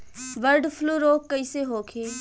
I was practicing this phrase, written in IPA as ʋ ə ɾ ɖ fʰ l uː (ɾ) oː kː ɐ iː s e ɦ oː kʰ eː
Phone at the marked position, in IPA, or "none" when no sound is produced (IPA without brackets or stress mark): ɾ